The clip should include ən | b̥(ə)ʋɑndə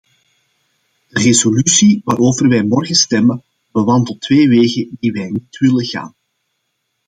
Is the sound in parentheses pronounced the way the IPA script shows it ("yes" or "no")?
yes